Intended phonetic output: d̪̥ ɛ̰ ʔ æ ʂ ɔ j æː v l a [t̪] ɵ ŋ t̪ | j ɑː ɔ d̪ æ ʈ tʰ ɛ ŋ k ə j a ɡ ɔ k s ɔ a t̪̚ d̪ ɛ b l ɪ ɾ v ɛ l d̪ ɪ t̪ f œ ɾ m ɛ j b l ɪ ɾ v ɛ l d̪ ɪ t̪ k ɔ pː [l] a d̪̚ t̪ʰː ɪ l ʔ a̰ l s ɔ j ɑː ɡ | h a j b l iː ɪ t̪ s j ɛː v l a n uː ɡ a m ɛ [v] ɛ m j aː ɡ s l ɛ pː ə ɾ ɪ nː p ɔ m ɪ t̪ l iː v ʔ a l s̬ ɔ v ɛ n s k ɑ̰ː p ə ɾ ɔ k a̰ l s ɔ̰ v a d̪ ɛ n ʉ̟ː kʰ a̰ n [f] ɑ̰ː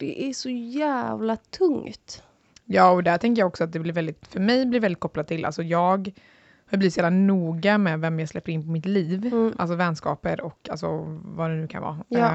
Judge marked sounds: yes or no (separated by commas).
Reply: no, yes, yes, no